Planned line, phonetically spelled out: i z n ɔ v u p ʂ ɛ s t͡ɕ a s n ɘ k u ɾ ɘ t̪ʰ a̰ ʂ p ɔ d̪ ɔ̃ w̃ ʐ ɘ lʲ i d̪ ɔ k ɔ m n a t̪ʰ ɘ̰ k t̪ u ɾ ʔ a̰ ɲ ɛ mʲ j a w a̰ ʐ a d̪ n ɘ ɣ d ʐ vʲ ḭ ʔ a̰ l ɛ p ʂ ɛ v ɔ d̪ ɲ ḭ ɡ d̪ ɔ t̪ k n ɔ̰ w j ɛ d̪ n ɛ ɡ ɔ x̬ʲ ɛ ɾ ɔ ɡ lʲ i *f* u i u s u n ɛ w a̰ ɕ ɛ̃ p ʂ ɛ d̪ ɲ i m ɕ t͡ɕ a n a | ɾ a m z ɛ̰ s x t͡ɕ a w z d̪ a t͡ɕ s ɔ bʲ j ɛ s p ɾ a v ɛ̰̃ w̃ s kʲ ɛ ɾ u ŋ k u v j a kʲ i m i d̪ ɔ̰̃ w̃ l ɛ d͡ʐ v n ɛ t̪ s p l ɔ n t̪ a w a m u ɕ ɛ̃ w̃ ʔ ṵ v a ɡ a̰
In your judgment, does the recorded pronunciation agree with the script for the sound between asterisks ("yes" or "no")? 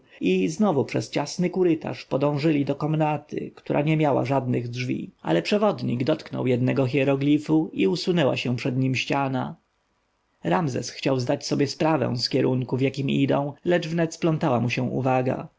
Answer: yes